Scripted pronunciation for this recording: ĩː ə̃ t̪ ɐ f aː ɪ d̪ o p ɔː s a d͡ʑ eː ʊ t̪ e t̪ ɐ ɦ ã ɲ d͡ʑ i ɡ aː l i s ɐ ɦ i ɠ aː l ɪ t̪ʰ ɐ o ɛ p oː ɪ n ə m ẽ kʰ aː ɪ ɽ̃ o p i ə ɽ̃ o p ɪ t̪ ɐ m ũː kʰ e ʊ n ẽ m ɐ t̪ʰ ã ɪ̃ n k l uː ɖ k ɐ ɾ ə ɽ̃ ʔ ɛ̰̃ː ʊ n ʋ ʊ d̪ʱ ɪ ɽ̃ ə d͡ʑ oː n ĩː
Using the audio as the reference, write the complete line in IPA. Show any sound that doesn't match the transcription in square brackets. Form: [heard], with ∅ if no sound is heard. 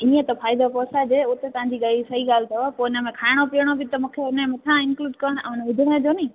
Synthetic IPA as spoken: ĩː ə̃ t̪ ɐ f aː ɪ d̪ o p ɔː s a d͡ʑ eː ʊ t̪ e t̪ ɐ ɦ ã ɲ d͡ʑ i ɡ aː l i s ɐ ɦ i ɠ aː l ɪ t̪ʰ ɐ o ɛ p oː ɪ n ə m ẽ kʰ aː ɪ ɽ̃ o p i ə ɽ̃ o [b] ɪ t̪ ɐ m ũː kʰ e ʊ n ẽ m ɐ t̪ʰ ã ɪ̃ n k l uː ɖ k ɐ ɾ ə ɽ̃ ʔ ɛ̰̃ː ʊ n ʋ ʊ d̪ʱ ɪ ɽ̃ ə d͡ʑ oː n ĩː